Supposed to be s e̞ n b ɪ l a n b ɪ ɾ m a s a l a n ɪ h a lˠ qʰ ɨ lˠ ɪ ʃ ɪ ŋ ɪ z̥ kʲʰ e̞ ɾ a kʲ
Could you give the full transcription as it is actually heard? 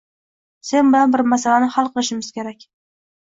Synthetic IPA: s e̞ n b ɪ l a n b ɪ ɾ m a s a l a n ɪ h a lˠ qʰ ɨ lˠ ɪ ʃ ɪ m ɪ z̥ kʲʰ e̞ ɾ a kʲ